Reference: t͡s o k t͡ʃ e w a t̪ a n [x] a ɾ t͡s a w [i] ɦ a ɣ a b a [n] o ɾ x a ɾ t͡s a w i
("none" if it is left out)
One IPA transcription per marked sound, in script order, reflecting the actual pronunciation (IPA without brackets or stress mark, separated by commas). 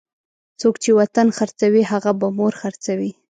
x, i, m